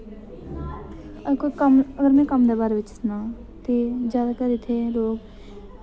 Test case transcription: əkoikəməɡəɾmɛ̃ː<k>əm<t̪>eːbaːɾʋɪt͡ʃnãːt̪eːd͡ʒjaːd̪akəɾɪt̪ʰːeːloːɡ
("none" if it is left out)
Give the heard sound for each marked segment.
k, d̪

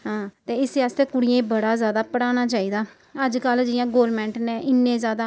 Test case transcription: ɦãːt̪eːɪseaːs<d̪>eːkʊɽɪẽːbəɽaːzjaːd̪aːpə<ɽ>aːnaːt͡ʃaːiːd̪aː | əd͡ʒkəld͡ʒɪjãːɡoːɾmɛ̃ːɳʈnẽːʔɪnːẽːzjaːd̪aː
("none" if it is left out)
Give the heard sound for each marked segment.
t̪, ɽ

